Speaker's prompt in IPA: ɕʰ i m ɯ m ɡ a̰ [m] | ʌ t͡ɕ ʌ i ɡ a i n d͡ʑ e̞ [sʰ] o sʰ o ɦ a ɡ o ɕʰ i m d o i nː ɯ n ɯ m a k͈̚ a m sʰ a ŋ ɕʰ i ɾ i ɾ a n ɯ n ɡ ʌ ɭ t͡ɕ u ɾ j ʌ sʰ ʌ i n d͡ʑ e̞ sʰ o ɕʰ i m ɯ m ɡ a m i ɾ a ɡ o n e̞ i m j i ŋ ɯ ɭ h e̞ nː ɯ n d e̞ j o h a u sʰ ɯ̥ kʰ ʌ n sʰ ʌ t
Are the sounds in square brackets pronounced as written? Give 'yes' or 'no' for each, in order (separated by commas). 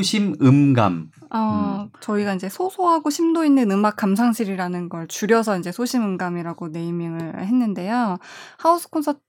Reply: yes, yes